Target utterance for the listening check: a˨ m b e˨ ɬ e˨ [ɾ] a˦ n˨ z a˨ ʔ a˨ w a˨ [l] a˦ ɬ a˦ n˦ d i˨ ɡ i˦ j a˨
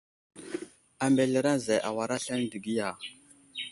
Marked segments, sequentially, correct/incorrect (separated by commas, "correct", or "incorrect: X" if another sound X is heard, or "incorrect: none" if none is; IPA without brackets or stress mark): correct, incorrect: ɾ